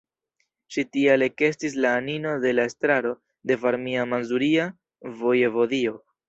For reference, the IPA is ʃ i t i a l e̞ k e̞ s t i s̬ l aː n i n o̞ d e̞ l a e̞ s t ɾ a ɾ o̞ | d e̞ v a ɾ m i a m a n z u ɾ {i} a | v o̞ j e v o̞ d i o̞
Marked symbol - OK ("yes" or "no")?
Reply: yes